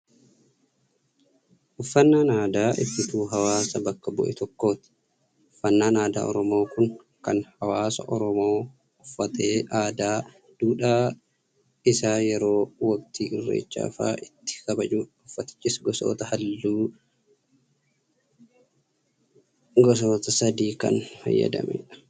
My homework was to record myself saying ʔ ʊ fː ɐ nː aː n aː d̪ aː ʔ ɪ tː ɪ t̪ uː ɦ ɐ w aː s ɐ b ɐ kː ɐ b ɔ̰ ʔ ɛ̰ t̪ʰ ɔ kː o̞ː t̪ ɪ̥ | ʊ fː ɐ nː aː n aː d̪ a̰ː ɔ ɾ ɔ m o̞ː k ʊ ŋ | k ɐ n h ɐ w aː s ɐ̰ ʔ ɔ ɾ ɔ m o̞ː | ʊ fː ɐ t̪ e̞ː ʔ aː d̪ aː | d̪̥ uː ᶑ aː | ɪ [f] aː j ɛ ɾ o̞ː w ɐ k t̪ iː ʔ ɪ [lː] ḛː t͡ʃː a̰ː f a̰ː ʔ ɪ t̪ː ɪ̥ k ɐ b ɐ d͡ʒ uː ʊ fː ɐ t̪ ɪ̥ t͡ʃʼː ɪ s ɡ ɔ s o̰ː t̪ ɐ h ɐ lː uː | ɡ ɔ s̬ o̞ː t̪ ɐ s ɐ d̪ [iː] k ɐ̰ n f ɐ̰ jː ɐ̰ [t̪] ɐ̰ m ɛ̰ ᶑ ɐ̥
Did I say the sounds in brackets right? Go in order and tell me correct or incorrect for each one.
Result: incorrect: s, incorrect: rː, correct, incorrect: d̪

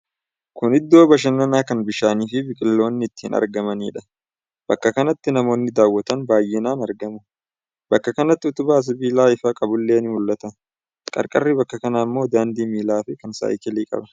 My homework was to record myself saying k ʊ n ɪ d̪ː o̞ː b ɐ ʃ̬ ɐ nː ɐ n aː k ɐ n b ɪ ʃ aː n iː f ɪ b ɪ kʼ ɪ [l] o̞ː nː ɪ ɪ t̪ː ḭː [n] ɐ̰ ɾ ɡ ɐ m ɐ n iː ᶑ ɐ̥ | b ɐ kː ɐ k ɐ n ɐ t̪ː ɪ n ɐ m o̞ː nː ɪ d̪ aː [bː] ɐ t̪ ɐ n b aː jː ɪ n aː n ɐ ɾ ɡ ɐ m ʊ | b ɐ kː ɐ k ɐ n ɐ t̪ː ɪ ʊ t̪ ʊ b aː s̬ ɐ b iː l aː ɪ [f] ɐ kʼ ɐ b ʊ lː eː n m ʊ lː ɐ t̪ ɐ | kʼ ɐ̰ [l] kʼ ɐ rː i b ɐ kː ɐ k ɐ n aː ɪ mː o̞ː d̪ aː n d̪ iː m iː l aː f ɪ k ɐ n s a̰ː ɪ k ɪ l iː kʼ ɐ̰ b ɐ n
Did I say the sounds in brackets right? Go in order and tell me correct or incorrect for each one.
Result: incorrect: lː, correct, incorrect: wː, correct, incorrect: ɾ

